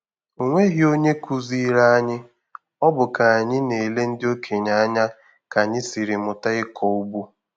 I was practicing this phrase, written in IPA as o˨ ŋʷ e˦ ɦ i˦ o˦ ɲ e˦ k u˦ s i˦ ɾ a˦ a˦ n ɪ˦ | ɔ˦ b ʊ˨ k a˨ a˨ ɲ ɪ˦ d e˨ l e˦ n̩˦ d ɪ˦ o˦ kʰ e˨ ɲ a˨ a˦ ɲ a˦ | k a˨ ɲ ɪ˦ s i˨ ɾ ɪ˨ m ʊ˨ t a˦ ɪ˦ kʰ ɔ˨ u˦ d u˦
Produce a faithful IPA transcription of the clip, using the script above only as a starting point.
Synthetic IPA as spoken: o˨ ŋʷ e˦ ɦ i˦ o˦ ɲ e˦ k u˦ z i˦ ɾ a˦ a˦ ɲ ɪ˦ | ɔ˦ b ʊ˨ k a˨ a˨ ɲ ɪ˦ n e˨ l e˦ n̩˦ d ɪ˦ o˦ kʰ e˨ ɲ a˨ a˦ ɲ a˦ | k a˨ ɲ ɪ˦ s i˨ ɾ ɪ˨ m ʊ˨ t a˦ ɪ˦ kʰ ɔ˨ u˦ b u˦